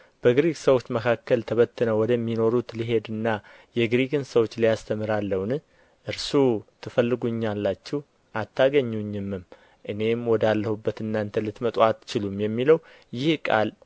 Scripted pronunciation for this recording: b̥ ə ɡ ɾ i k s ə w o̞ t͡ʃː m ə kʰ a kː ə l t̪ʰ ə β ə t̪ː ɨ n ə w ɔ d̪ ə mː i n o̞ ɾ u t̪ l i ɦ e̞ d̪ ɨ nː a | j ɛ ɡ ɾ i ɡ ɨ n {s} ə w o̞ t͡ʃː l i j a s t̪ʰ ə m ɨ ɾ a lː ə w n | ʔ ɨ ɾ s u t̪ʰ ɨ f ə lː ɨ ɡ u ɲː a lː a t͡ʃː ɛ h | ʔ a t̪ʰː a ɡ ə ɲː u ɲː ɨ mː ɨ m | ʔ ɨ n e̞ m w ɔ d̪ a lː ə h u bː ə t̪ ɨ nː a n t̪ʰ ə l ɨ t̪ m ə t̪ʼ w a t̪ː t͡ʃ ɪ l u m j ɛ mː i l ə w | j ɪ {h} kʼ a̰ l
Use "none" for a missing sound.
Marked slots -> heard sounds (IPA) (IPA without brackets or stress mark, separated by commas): s, h